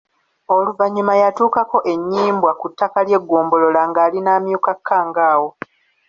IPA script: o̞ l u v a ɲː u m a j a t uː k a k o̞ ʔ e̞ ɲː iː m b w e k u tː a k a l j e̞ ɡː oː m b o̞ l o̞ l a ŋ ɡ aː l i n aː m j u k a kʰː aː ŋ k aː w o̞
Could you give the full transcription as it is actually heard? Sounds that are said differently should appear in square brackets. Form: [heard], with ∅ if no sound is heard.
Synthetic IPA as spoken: o̞ l u v a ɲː u m a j a t uː k a k o̞ ʔ e̞ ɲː iː m b w [a] k u tː a k a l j e̞ ɡː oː m b o̞ l o̞ l a ŋ ɡ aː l i n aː m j u k a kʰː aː ŋ [ɡ] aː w o̞